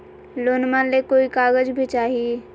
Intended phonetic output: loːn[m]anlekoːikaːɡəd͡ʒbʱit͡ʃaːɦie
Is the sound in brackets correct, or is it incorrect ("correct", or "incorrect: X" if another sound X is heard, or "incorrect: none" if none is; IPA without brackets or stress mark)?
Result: correct